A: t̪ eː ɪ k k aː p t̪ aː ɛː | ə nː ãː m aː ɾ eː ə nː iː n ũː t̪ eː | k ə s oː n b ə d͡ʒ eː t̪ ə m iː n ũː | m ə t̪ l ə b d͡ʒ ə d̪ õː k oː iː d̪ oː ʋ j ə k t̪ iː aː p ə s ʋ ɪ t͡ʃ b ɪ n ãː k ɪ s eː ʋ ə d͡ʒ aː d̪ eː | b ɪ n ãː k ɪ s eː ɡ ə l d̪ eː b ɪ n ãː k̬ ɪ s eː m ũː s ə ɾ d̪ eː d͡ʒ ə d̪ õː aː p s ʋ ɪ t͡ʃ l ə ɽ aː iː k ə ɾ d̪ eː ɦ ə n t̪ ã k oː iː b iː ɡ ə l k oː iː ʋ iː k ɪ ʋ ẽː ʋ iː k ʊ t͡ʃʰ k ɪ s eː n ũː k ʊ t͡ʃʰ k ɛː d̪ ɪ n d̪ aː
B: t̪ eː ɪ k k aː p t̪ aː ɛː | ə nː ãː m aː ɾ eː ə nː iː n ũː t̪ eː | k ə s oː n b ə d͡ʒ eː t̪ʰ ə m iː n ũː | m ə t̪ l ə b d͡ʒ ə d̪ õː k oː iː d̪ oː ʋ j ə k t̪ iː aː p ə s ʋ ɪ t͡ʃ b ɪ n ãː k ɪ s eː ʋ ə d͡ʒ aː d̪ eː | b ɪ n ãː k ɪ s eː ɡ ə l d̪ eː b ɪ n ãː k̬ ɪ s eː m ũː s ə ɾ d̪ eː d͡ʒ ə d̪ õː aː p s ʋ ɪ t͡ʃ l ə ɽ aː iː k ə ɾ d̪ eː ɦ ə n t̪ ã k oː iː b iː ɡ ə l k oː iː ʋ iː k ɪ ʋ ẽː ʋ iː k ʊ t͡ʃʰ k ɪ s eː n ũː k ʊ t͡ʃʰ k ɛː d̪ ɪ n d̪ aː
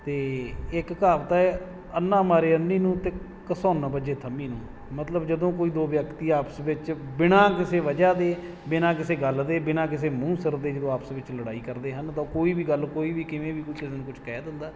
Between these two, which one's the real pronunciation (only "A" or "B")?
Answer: B